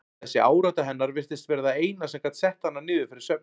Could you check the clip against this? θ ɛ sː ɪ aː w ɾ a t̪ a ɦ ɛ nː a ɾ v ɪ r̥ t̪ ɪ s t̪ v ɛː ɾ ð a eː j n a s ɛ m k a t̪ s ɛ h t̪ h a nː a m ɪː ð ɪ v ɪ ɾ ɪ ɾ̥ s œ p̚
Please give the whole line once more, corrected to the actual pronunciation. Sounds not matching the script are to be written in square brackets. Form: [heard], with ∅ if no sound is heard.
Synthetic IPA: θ ɛ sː ɪ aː w ɾ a t̪ a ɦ ɛ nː a ɾ v ɪ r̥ t̪ ɪ s t̪ v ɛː ɾ ð a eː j n a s ɛ m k a t̪ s ɛ h t̪ h a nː a [n] ɪː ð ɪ [f] ɪ ɾ ɪ ɾ̥ s œ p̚

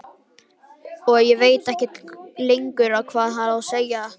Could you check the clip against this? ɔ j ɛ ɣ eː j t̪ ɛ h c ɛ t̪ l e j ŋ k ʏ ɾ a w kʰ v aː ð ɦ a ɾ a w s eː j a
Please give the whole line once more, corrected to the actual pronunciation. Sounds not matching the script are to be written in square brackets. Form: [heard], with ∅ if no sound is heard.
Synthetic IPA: ɔ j ɛ [v] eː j t̪ ɛ h c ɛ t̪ l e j ŋ k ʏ ɾ a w kʰ v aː ð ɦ a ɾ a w s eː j a

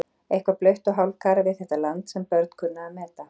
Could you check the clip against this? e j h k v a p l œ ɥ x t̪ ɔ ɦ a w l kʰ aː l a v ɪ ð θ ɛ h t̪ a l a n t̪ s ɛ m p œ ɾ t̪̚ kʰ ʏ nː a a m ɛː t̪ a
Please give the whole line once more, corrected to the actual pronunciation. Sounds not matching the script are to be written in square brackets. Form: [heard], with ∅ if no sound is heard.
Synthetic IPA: e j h k v a p l œ ɥ [h] t̪ ɔ ɦ a w l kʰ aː [ɾ] a v ɪ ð θ ɛ h t̪ a l a n t̪ s ɛ m p œ ɾ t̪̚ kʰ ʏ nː a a m ɛː t̪ a

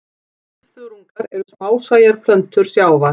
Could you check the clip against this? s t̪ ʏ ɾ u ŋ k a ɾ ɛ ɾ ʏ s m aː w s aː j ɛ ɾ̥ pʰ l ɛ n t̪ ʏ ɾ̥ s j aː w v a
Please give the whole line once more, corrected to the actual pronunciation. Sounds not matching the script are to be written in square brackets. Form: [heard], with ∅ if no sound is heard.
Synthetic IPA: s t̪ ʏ ɾ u ŋ k a ɾ ɛ ɾ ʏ s m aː w s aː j [a] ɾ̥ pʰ l [œ] n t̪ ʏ ɾ̥ s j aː w v a

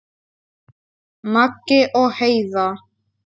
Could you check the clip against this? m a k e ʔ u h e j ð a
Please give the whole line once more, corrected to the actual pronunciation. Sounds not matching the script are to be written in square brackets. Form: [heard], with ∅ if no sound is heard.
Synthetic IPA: m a k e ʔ [o] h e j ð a

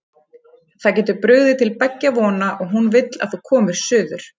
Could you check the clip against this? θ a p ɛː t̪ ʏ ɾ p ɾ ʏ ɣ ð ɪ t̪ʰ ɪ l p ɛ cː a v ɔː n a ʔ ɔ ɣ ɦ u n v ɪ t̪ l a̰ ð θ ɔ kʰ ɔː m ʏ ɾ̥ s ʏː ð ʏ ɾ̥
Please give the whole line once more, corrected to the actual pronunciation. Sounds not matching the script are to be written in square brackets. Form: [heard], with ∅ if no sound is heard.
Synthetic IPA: θ a [c] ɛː t̪ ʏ ɾ p ɾ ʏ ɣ ð ɪ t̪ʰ ɪ l p ɛ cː a v ɔː n a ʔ ɔ ɣ ɦ u n v ɪ t̪ l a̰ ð θ [u] kʰ ɔː m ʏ ɾ̥ s ʏː ð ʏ ɾ̥

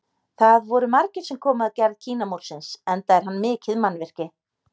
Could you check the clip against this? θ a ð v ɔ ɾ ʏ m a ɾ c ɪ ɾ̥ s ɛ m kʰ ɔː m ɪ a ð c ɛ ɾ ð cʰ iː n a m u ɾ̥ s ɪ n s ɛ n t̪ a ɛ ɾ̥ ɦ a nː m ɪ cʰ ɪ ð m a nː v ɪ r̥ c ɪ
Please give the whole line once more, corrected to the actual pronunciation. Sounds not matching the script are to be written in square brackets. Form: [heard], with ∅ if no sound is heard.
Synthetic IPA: θ a ð v ɔ ɾ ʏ m a ɾ c ɪ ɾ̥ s ɛ m kʰ ɔː m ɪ a ð c ɛ ɾ ð cʰ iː n a m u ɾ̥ s ɪ n s ɛ n t̪ a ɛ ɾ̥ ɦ a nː m [ɪː] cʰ ɪ ð m a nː v ɪ r̥ c ɪ

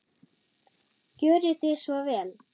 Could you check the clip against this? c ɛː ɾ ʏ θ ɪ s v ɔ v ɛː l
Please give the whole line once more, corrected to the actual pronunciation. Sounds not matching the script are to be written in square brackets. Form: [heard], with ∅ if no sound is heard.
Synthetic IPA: c [œː] ɾ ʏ θ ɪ s v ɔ v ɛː l

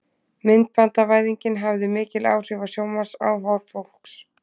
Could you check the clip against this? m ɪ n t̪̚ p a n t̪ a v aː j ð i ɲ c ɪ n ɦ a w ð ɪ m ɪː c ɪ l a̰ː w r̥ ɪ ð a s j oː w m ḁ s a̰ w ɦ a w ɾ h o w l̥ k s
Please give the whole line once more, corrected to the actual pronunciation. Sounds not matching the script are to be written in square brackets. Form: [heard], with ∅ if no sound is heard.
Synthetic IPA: m ɪ n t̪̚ p a n t̪ a v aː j ð i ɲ c ɪ n ɦ a [v] ð ɪ m ɪː c ɪ l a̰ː w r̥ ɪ [v] a s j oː w m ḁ s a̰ w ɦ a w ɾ [f] o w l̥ k s

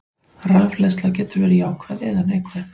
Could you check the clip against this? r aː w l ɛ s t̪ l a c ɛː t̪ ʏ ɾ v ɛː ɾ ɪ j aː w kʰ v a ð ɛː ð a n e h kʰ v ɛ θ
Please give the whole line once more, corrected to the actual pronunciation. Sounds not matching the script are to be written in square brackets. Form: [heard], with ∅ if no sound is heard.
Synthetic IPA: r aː [v] l ɛ s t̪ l a c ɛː t̪ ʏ ɾ v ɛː ɾ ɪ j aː w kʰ v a ð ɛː ð a n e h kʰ v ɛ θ

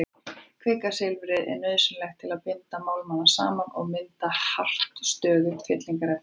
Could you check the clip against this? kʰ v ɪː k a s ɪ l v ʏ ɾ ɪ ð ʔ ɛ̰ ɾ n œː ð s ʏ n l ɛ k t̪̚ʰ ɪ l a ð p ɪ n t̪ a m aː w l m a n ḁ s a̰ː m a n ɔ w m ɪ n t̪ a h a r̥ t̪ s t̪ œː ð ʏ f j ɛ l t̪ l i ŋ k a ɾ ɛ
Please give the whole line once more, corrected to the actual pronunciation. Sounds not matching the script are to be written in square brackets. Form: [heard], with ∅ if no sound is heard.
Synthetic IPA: kʰ v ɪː k a s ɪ l v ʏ ɾ ɪ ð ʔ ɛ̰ ɾ n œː ð s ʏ n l ɛ [x] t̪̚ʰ ɪ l a ð p ɪ n t̪ a m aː w l m a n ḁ s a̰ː m a n ɔ [ɣ] m ɪ n t̪ a h a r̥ t̪ s t̪ œː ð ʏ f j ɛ [∅] t̪ l i ŋ k a ɾ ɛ

